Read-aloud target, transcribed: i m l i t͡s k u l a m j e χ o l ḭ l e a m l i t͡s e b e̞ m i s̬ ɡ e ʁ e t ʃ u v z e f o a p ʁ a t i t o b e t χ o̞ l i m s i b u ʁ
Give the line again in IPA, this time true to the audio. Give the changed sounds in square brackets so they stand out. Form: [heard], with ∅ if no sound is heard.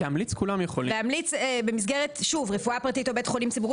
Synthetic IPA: [a] m l i t͡s k u l a m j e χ o l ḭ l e a m l i t͡s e b e̞ m i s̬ ɡ e ʁ e t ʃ u v [ʁ] e f [u] a p ʁ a t i t o b e t χ o̞ l i m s i b u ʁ